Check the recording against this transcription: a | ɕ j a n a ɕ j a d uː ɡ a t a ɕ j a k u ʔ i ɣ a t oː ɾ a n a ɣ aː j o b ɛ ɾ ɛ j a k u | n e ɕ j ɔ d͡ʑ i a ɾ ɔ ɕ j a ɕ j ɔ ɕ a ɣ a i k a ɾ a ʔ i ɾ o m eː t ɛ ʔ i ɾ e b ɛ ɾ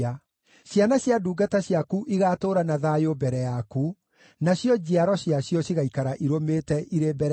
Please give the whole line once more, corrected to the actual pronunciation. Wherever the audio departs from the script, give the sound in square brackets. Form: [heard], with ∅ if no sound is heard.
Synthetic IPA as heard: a | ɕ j a n a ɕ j a d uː ɡ a t a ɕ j a k u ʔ i ɣ a t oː ɾ a n a [ð] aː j o b ɛ ɾ ɛ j a k u | n [a] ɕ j ɔ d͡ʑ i a ɾ ɔ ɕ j a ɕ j ɔ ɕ [i] ɣ a i k a ɾ a ʔ i ɾ o m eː t ɛ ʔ i ɾ e b ɛ ɾ